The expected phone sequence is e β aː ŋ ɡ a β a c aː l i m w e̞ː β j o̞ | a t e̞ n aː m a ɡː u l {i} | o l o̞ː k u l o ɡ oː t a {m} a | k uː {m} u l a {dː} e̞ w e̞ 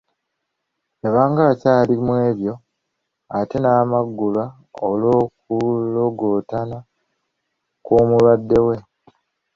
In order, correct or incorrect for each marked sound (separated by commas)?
incorrect, incorrect, correct, correct